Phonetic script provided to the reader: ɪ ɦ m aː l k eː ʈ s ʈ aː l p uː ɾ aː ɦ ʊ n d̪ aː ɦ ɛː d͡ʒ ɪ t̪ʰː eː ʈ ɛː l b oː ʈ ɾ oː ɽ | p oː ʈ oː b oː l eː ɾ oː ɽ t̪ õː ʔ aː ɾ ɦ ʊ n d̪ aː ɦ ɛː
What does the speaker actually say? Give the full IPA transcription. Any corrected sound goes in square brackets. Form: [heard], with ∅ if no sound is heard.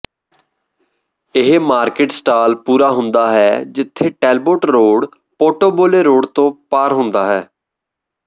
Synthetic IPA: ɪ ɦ m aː [ɾ] k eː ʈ s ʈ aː l p uː ɾ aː ɦ ʊ n d̪ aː ɦ ɛː d͡ʒ ɪ t̪ʰː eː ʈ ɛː l b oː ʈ ɾ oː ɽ | p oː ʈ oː b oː l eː ɾ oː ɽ t̪ õː [p] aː ɾ ɦ ʊ n d̪ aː ɦ ɛː